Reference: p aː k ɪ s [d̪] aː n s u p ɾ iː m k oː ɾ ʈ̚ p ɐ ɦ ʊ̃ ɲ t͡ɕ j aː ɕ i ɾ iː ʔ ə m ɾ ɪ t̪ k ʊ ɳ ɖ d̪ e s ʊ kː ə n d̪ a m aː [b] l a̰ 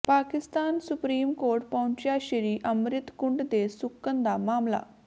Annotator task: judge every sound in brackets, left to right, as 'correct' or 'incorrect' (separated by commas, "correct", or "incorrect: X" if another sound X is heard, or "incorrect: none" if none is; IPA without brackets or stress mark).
incorrect: t̪, incorrect: m